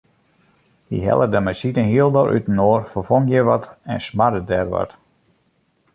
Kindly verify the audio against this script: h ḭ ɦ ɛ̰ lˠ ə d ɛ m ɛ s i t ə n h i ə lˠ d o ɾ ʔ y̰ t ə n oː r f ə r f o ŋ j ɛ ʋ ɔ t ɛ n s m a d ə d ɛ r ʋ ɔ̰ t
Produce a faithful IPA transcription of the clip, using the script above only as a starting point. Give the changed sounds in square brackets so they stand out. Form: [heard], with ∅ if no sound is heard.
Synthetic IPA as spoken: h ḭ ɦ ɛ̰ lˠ ə d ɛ m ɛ s i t ə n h i ə lˠ d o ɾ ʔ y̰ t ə n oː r f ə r f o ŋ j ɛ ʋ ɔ t ɛ n s m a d ə d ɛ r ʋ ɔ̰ t